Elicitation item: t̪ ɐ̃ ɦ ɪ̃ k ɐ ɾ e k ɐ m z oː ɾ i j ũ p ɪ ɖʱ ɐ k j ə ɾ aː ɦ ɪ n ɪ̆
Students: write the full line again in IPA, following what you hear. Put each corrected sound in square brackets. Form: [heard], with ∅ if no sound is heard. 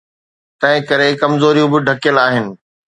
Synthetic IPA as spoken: t̪ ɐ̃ ɦ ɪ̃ k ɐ ɾ e k ɐ m z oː ɾ i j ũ [b] ɪ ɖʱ ɐ k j ə [l] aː ɦ ɪ n ɪ̆